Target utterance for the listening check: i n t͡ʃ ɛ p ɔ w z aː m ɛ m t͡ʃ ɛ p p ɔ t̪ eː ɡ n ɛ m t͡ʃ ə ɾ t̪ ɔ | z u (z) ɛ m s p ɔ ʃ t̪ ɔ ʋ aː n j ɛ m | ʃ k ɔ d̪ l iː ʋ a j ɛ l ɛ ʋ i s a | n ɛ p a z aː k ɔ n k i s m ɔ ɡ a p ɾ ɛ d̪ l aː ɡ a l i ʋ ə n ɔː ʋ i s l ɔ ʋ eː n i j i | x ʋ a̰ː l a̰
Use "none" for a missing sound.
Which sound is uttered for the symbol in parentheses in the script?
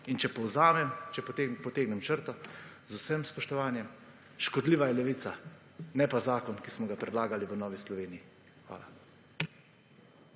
s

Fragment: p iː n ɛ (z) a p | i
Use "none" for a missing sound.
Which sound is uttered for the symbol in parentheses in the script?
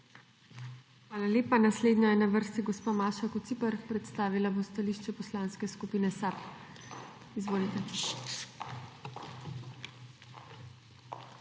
s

